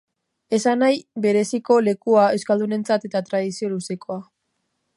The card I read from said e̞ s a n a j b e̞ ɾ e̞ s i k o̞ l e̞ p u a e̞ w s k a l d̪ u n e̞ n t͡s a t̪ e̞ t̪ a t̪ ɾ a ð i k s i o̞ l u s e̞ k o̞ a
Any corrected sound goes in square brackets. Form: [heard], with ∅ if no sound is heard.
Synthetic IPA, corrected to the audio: e̞ s a n a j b e̞ ɾ e̞ s i k o̞ l e̞ [k] u a e̞ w s k a l d̪ u n e̞ n t͡s a t̪ e̞ t̪ a t̪ ɾ a ð i [∅] s i o̞ l u s e̞ k o̞ a

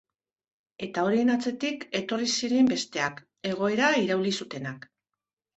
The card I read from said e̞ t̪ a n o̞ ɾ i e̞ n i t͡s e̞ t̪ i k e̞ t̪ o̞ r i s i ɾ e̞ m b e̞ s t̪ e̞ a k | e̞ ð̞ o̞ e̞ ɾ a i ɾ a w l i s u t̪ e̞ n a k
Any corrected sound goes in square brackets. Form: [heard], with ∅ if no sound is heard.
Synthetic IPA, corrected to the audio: e̞ t̪ a [∅] o̞ ɾ i e̞ n [a] t͡s e̞ t̪ i k e̞ t̪ o̞ r i s i ɾ e̞ m b e̞ s t̪ e̞ a k | e̞ [ɣ̞] o̞ e̞ ɾ a i ɾ a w l i s u t̪ e̞ n a k

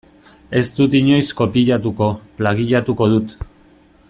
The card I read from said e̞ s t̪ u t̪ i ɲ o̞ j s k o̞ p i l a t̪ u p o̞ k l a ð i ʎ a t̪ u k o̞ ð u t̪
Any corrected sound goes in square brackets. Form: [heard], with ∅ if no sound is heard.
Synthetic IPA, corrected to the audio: e̞ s t̪ u t̪ i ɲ o̞ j s k o̞ p i [ʎ] a t̪ u [k] o̞ [p] l a [ɣ] i ʎ a t̪ u k o̞ ð u t̪

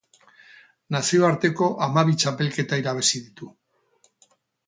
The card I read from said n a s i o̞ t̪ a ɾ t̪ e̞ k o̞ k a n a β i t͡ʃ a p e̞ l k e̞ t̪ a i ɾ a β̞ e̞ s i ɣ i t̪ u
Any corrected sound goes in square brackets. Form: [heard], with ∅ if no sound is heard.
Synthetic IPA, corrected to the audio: n a s i o̞ [∅] a ɾ t̪ e̞ k o̞ [ʔ] a [m] a β i t͡ʃ a p e̞ l k e̞ t̪ a i ɾ a β̞ e̞ s i [ð] i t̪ u

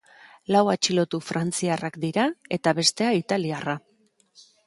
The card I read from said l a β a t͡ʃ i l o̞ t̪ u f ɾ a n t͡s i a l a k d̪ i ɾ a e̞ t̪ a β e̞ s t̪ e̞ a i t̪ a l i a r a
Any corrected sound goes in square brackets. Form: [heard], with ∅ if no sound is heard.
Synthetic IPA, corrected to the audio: l a [w] a t͡ʃ i l o̞ t̪ u f ɾ a n t͡s i a [r] a k d̪ i ɾ a e̞ t̪ a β e̞ s t̪ e̞ a i t̪ a l i a r a

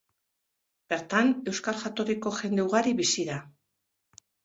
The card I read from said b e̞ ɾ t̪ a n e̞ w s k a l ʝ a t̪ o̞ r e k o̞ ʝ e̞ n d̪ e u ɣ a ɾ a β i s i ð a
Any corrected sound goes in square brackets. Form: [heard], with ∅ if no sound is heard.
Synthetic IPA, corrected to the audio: b e̞ ɾ t̪ a n e̞ w s k a l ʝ a t̪ o̞ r [i] k o̞ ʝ e̞ n d̪ e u ɣ a ɾ [i] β i s i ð a

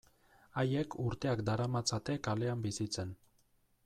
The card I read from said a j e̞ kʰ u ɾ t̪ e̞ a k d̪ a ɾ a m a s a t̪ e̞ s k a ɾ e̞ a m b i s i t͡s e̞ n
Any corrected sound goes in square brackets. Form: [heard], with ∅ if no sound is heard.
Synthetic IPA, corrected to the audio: a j e̞ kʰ u ɾ t̪ e̞ a k d̪ a ɾ a m a [t͡s] a t̪ e̞ [∅] k a [l] e̞ a m b i s i t͡s e̞ n

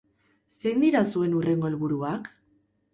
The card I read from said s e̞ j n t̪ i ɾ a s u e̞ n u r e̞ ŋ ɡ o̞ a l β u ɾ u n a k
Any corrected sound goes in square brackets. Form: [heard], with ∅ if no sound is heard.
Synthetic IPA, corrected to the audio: s e̞ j n [d̪] i ɾ a s u e̞ n u r e̞ ŋ ɡ o̞ [e] l β u ɾ u [∅] a k

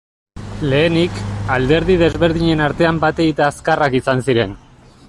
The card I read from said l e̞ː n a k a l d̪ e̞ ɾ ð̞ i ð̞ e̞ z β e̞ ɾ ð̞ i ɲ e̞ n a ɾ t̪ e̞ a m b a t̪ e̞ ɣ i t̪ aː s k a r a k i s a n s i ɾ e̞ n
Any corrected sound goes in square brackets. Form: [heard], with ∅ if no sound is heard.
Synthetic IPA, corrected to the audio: l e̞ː n [i] k a l d̪ e̞ ɾ ð̞ i ð̞ e̞ z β e̞ ɾ ð̞ i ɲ e̞ n a ɾ t̪ e̞ a m b a t̪ e̞ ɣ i t̪ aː s k a r a k i s a n s i ɾ e̞ n

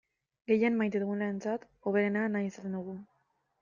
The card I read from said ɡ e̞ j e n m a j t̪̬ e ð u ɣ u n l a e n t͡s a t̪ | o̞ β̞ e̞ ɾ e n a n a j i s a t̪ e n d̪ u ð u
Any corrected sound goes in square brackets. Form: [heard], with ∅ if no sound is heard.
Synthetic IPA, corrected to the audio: ɡ e̞ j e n m a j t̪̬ e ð u ɣ u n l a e n t͡s a t̪ | o̞ β̞ e̞ ɾ e n a n a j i s a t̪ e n d̪ u [ɣ] u

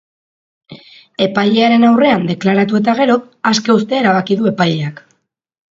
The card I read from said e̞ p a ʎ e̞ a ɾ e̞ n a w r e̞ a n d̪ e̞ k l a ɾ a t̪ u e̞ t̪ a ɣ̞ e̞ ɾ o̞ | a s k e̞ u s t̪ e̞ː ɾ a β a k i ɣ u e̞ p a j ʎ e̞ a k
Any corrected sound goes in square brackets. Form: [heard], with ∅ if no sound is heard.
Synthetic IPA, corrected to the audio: e̞ p a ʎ e̞ a ɾ e̞ n a w r e̞ a n d̪ e̞ k l a ɾ a t̪ u e̞ t̪ a ɣ̞ e̞ ɾ o̞ | a s k e̞ u s t̪ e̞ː ɾ a β a k i [ð] u e̞ p a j ʎ e̞ a k

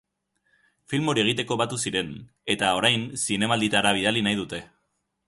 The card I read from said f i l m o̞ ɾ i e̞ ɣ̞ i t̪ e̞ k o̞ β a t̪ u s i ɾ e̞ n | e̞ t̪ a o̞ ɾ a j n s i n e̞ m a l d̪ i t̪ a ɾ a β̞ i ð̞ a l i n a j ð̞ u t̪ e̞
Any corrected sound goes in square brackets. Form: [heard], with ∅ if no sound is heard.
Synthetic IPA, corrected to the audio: f i l m o̞ ɾ i e̞ ɣ̞ i t̪ e̞ k o̞ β a t̪ u s i ɾ e̞ n | e̞ t̪ a o̞ ɾ a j n s i n e̞ m a l d̪ i t̪ a ɾ a β̞ i ð̞ a l i n a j ð̞ u t̪ e̞

